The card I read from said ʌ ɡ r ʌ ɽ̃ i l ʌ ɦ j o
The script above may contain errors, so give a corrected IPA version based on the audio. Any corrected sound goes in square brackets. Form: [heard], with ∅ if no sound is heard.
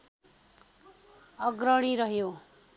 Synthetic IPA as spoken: ʌ ɡ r ʌ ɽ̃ i [ɾ] ʌ ɦ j o